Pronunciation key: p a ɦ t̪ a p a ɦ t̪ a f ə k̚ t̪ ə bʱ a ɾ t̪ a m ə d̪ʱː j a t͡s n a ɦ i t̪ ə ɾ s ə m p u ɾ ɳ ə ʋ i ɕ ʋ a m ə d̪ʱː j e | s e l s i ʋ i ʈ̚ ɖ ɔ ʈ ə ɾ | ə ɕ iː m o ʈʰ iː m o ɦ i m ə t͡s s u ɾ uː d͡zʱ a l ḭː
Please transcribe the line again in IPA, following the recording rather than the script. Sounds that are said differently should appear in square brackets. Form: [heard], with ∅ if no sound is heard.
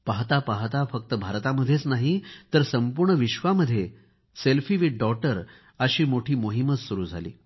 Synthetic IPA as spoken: p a ɦ t̪ a p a ɦ t̪ a f ə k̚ t̪ ə bʱ a ɾ t̪ a m ə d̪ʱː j [e] t͡s n a ɦ i t̪ ə ɾ s ə m p u ɾ ɳ ə ʋ i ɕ ʋ a m ə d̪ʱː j e | s e l [f] i ʋ i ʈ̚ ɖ ɔ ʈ ə ɾ | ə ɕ iː m o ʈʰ iː m o ɦ i m ə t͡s s u ɾ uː d͡zʱ a l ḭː